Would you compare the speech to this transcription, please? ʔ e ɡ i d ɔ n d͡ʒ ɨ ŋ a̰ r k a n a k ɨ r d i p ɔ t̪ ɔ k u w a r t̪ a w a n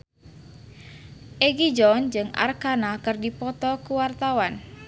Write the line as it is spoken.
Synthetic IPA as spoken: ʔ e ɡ i d͡ʒ ɔ n d͡ʒ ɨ ŋ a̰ r k a n a k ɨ r d i p ɔ t̪ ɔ k u w a r t̪ a w a n